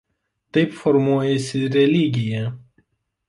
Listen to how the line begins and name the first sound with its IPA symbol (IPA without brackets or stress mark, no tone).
t̪